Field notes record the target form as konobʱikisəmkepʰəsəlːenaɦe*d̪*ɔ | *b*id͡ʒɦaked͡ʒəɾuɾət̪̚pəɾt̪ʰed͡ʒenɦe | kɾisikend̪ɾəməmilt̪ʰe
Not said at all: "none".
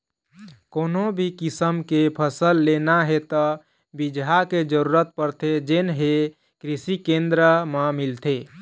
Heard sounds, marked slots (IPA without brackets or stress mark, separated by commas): t̪, b